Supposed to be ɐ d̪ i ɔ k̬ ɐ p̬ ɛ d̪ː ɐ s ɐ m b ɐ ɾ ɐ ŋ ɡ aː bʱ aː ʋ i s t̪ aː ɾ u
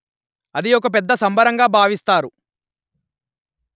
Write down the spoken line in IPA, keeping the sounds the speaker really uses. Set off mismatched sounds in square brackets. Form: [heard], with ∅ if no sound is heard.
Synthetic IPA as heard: ɐ d̪ i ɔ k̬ ɐ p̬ ɛ d̪ː ɐ s ɐ m b ɐ ɾ ɐ ŋ ɡ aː bʱ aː ʋ i s t̪ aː ɾ u